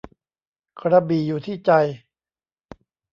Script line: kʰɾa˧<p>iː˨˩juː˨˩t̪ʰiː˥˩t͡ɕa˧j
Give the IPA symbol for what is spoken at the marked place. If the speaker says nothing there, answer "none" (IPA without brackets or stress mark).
b